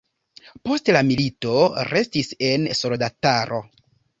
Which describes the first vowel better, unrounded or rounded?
rounded